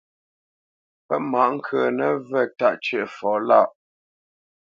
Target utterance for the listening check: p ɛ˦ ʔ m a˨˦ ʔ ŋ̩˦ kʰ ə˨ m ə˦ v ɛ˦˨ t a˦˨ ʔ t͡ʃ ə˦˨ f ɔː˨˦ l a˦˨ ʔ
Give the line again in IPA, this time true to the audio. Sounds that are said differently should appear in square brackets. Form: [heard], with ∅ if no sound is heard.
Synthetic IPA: p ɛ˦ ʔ m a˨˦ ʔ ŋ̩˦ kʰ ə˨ [n] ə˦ v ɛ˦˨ t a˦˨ ʔ t͡ʃ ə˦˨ f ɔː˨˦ l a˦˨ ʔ